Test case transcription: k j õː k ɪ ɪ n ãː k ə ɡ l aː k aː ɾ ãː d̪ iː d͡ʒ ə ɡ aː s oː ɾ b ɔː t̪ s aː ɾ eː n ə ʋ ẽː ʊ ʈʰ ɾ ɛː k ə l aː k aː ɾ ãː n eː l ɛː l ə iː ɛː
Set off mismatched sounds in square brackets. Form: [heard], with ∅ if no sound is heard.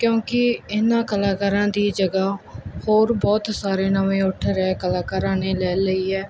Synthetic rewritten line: k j õː k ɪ ɪ n ãː k ə [∅] l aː k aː ɾ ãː d̪ iː d͡ʒ ə ɡ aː [h] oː ɾ b ɔː t̪ s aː ɾ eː n ə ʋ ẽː ʊ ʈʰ ɾ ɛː k ə l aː k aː ɾ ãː n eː l ɛː l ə iː ɛː